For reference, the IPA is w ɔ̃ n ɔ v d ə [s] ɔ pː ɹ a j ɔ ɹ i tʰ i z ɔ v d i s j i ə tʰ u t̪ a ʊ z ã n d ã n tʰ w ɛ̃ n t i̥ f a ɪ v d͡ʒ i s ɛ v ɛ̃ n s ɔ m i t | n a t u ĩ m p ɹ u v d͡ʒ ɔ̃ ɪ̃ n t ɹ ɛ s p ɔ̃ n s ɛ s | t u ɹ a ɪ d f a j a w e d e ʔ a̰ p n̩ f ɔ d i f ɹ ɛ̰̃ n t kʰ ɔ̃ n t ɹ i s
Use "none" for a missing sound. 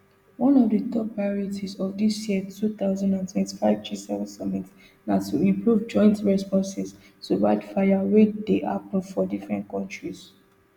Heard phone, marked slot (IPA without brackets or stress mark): t